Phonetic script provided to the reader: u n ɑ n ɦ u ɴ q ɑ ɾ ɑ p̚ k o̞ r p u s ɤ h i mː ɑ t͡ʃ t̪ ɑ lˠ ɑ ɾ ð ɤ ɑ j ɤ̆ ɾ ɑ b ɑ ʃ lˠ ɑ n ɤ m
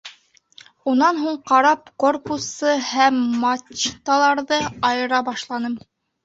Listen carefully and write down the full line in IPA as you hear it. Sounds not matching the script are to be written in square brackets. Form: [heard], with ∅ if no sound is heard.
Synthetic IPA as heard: u n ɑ n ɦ u ɴ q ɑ ɾ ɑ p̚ k o̞ r p u s ɤ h [æ] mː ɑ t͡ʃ t̪ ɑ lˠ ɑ ɾ ð ɤ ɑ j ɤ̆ ɾ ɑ b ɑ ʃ lˠ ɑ n ɤ m